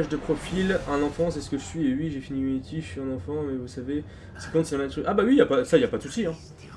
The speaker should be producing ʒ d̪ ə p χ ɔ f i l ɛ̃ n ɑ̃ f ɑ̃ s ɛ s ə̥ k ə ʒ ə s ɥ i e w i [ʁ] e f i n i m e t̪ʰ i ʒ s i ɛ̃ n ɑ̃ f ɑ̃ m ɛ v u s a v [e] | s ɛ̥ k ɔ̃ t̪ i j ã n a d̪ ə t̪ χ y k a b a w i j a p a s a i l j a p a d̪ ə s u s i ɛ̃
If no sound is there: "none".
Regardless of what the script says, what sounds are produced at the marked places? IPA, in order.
ʒ, e

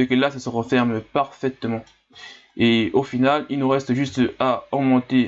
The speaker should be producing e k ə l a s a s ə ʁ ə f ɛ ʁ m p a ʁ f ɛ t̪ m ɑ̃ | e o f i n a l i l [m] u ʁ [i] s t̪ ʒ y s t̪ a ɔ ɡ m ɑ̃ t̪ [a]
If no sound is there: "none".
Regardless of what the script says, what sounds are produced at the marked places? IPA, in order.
n, ɛ, e

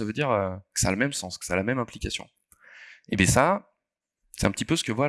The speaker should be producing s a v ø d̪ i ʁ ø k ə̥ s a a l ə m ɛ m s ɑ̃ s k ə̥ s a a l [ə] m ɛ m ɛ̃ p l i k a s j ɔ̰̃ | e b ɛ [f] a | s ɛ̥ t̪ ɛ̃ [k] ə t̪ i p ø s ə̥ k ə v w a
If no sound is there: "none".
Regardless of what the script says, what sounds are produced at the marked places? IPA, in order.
a, s, p

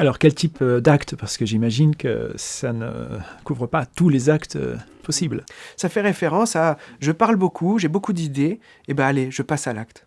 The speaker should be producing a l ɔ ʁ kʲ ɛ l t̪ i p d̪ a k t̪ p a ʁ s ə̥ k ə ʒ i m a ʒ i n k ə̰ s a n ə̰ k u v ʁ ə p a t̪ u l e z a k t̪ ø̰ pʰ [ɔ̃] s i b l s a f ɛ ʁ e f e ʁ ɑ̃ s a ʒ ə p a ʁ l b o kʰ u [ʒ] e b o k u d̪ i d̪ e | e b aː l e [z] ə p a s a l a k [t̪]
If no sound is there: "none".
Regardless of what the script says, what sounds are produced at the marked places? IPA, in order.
ɔ, ʒ, ʒ, t̪

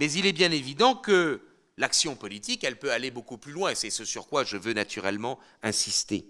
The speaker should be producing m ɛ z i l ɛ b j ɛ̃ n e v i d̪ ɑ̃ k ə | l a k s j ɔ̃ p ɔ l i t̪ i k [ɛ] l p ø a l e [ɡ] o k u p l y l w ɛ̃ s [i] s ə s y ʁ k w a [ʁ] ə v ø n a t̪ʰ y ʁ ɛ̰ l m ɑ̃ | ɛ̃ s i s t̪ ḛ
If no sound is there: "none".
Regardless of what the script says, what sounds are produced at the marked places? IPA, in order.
ɛ, b, ɛ, ʒ

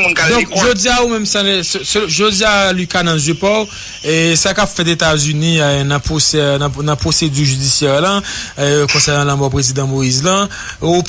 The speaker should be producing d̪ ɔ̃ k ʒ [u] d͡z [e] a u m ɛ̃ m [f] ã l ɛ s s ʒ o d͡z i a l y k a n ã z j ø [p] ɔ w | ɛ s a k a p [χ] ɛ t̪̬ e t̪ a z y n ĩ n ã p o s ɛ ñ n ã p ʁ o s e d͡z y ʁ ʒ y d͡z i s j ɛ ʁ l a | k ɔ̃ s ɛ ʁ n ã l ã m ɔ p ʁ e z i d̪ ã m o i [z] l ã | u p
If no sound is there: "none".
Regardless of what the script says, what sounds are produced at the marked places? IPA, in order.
o, i, s, p, f, z

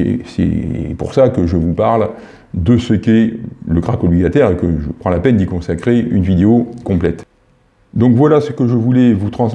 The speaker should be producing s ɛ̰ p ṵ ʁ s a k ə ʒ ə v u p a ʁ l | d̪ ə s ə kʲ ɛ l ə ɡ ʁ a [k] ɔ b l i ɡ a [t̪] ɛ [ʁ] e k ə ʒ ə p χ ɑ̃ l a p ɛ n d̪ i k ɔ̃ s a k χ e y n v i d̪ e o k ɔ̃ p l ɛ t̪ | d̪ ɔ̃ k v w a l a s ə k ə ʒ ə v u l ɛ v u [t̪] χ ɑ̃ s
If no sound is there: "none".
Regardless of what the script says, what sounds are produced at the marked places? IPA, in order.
k, t̪, ʁ, t̪

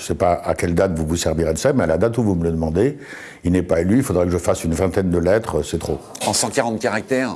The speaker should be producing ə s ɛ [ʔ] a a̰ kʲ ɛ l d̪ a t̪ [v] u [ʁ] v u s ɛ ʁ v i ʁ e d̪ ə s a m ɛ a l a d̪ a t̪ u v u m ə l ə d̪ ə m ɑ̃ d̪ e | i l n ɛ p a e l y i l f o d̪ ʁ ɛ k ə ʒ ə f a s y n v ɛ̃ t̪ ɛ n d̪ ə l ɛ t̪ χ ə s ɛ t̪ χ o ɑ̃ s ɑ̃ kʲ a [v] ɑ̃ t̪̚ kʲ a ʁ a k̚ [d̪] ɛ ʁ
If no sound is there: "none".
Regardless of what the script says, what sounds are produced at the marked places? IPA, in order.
p, v, none, ʁ, t̪

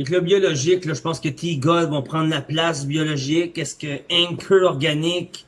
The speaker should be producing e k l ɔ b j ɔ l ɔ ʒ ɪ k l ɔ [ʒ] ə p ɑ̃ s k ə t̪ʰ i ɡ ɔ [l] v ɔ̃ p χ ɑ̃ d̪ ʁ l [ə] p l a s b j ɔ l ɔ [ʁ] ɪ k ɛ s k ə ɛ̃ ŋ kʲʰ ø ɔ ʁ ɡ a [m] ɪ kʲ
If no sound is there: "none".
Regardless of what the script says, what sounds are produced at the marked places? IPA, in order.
ʒ, l, a, ʒ, n

